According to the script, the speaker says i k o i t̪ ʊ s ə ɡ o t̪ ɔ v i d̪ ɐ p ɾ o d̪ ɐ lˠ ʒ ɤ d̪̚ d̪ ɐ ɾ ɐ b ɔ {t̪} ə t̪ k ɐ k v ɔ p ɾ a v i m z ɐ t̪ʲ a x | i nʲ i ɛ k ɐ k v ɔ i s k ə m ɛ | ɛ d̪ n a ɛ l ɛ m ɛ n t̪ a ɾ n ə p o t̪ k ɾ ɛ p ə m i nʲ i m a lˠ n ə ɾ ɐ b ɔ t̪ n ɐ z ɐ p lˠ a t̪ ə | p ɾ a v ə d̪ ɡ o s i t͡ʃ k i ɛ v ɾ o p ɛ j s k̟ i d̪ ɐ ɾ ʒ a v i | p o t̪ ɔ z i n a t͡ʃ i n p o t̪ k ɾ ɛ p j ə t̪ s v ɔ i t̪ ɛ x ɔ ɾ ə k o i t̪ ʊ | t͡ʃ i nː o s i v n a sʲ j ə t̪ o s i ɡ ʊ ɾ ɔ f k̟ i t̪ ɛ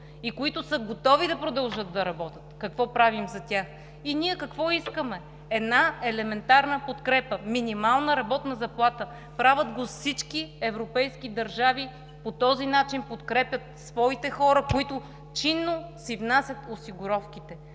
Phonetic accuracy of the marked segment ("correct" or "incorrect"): correct